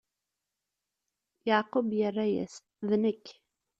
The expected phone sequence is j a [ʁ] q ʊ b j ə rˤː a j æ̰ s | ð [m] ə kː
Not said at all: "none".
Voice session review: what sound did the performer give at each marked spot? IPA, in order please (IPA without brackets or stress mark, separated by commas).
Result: ʕ, n